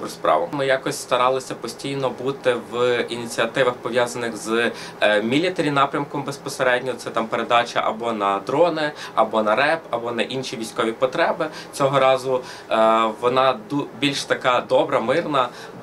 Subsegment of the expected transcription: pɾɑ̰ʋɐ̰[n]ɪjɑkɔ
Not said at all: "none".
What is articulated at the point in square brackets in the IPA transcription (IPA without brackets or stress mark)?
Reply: m